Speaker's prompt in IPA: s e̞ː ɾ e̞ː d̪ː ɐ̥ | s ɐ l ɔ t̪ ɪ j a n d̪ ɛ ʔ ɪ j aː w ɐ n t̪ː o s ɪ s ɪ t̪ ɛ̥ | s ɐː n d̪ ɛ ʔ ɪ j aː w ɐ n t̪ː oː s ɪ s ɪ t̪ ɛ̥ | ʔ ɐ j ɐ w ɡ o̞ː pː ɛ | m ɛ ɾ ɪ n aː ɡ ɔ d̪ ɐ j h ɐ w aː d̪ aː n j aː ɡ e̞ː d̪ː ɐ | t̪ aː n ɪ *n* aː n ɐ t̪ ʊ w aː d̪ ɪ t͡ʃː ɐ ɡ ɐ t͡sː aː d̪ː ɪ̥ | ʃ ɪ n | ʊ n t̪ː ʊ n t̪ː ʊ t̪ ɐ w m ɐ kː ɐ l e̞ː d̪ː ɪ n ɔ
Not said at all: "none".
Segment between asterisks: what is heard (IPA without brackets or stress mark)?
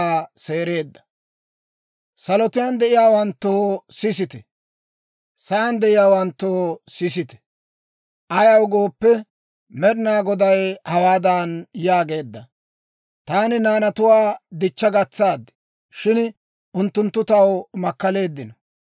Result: n